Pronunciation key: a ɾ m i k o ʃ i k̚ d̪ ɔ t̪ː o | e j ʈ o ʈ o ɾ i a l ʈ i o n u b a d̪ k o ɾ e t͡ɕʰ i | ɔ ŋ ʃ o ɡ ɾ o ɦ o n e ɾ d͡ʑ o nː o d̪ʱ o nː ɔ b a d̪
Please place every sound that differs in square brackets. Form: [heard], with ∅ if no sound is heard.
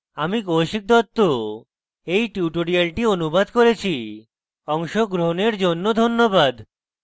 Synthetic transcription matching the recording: a [∅] m i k o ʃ i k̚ d̪ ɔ t̪ː o | e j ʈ [u] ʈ o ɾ i a l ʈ i o n u b a d̪ k o ɾ e t͡ɕʰ i | ɔ ŋ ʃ o ɡ ɾ o ɦ o n e ɾ d͡ʑ o nː o d̪ʱ o nː [o] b a d̪